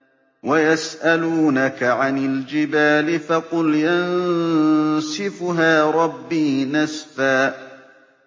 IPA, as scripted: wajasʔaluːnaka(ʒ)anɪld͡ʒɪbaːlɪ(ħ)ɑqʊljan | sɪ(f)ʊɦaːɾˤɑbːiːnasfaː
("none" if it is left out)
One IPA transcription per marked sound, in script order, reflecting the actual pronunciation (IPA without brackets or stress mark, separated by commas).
ʕ, f, f